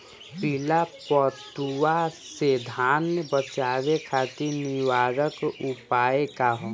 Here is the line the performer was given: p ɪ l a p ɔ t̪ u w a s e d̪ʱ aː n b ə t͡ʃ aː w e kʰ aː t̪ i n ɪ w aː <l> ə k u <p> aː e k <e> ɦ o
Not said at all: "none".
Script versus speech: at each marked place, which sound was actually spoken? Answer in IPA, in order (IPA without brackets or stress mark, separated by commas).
ɾ, p, a